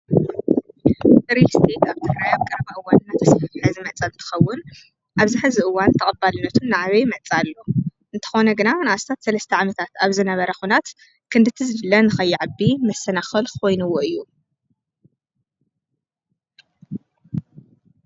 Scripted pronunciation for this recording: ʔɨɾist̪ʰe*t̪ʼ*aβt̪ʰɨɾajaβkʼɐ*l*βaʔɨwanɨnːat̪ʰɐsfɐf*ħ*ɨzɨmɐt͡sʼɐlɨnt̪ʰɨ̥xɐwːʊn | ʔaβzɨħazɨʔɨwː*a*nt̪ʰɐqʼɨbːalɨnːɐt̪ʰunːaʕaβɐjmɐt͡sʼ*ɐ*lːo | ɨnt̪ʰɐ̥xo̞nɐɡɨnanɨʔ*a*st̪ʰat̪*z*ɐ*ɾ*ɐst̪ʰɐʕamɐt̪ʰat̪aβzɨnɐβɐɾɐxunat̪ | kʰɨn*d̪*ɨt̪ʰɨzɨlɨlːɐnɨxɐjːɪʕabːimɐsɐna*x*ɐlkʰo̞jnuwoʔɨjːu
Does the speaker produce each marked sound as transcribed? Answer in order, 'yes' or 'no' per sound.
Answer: no, no, yes, yes, no, yes, no, no, yes, yes

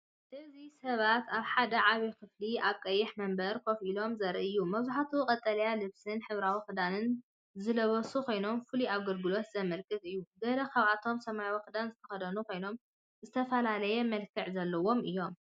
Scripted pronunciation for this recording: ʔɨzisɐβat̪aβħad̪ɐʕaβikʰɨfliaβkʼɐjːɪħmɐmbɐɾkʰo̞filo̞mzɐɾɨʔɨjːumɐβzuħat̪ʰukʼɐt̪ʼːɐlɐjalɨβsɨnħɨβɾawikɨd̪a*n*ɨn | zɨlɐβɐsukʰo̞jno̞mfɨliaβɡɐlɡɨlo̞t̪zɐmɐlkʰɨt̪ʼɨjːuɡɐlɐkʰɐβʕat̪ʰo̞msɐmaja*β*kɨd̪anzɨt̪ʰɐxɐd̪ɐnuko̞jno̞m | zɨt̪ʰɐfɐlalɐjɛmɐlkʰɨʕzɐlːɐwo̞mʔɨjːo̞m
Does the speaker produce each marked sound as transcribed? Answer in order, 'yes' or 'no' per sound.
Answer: yes, no

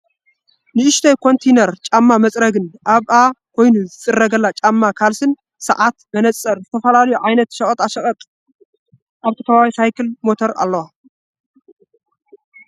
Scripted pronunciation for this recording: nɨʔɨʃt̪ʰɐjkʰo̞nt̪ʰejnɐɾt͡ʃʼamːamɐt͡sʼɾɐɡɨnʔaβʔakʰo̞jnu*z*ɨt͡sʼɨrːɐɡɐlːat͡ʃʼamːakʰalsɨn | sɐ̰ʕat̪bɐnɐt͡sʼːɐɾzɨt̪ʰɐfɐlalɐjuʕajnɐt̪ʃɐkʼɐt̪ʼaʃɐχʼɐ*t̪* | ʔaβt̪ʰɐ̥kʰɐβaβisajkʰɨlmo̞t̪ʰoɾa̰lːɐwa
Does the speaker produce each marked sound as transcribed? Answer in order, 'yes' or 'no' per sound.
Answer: yes, no

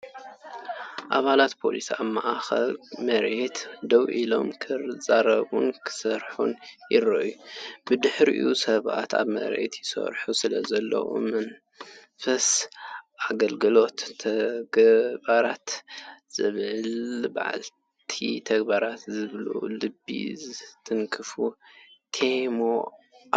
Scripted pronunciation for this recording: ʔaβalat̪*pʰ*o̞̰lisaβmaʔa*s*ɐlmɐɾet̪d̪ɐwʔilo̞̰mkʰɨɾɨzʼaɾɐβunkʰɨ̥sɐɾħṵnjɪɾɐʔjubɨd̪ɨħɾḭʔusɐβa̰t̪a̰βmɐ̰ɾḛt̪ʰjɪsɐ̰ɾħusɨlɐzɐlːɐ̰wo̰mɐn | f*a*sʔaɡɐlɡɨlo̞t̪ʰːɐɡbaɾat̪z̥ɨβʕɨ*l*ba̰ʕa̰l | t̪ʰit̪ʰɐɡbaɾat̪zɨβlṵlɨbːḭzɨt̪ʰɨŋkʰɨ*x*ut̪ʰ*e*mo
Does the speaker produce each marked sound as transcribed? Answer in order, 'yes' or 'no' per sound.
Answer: yes, no, no, yes, no, yes

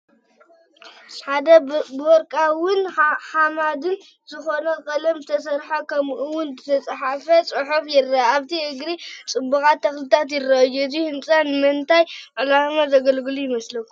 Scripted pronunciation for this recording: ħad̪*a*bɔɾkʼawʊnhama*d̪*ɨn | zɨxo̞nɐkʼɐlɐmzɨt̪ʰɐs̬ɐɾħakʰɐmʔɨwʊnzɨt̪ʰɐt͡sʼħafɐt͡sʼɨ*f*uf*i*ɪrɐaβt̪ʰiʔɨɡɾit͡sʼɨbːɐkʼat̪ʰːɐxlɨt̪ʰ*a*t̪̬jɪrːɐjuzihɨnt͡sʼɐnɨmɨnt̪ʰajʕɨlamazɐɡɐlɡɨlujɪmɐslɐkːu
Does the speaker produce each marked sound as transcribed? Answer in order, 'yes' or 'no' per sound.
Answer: no, yes, no, no, yes

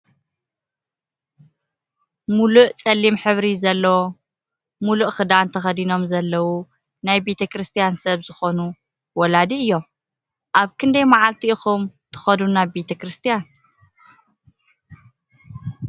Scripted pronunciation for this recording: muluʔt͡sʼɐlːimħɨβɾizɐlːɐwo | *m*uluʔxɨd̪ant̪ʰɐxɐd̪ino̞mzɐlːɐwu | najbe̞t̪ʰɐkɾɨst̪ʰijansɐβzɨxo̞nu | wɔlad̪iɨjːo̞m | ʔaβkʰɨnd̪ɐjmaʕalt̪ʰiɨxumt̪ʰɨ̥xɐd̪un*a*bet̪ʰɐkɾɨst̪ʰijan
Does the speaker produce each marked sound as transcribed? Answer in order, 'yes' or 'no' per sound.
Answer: yes, yes

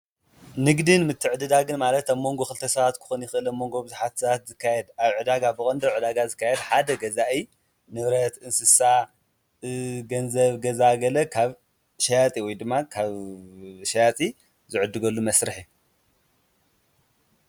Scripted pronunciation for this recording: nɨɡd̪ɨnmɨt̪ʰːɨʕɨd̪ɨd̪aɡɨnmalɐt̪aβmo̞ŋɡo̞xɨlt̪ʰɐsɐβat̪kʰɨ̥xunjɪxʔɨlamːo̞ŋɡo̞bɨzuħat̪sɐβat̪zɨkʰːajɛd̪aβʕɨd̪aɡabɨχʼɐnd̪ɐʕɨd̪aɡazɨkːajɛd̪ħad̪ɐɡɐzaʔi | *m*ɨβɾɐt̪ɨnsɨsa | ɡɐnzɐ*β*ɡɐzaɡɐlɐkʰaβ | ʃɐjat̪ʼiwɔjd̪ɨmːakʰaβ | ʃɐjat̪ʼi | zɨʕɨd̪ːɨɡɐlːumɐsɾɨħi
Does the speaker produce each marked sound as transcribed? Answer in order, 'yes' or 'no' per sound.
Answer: no, yes

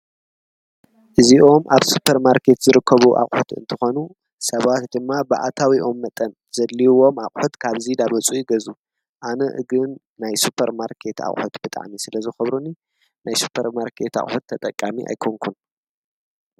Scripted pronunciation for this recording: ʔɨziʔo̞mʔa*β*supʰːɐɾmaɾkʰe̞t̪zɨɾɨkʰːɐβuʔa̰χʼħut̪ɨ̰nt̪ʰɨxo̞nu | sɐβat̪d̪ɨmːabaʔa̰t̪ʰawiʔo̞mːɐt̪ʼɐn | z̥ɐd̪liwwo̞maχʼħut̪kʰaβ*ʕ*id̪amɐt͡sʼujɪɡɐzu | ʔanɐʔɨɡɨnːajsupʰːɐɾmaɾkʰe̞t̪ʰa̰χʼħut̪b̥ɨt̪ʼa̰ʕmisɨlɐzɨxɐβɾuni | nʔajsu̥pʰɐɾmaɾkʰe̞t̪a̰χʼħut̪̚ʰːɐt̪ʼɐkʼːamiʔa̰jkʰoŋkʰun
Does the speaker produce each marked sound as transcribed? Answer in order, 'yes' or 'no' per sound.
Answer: yes, no

